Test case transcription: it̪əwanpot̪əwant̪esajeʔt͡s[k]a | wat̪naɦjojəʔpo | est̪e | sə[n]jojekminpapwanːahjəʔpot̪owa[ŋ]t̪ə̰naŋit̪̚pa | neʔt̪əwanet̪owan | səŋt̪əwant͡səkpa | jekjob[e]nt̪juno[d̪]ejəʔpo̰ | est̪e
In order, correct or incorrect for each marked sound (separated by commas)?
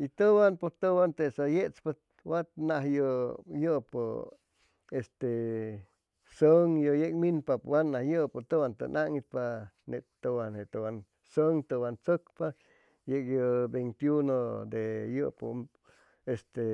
incorrect, incorrect, incorrect, correct, correct